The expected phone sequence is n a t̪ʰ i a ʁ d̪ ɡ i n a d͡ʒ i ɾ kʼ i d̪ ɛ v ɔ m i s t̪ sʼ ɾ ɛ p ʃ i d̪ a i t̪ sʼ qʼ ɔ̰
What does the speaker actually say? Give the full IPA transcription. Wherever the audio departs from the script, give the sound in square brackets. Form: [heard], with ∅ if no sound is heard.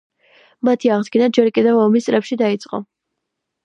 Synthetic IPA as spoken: [m] a t̪ʰ i a ʁ d̪ ɡ i n a d͡ʒ [ɛ] ɾ kʼ i d̪ ɛ v ɔ m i s t̪ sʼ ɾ ɛ p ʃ i d̪ a i t̪ sʼ qʼ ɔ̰